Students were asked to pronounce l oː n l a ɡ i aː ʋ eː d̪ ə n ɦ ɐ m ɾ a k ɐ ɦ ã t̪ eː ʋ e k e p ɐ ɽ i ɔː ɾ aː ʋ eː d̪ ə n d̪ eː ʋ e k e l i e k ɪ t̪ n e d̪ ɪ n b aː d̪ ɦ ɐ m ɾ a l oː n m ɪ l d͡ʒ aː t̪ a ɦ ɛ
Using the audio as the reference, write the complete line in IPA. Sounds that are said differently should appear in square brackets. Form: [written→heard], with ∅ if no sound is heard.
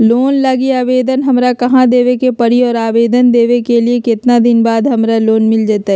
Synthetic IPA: l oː n l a ɡ i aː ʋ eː d̪ ə n ɦ ɐ m ɾ a k ɐ ɦ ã [t̪→d̪] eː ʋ e k e p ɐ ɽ i ɔː ɾ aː ʋ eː d̪ ə n d̪ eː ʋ e k e l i e k ɪ t̪ n [e→a] d̪ ɪ n b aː d̪ ɦ ɐ m ɾ a l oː n m ɪ l d͡ʒ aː t̪ a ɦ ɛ